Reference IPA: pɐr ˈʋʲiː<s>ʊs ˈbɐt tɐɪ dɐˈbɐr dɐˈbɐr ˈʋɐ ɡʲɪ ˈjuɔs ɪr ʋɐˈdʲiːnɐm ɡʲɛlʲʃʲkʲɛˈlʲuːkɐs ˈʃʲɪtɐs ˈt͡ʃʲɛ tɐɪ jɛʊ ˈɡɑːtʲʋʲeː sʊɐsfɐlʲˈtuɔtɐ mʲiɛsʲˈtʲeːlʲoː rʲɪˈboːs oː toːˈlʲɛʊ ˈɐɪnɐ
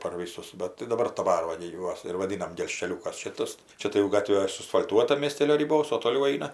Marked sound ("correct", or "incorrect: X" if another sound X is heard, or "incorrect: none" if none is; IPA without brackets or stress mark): correct